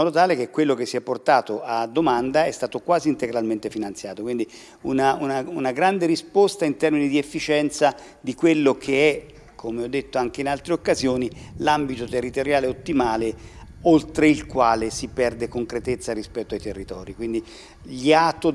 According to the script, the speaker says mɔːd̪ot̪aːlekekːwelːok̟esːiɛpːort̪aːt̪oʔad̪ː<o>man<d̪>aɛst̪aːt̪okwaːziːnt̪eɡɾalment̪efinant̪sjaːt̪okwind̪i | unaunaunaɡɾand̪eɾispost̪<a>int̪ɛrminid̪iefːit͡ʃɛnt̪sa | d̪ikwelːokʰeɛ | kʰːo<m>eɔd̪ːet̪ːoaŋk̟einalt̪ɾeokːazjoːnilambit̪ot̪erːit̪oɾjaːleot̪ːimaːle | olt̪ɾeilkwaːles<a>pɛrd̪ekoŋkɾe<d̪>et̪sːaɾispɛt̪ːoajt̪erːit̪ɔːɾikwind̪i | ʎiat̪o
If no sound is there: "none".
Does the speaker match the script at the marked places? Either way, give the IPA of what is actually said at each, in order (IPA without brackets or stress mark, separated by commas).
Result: o, d̪, a, m, i, t̪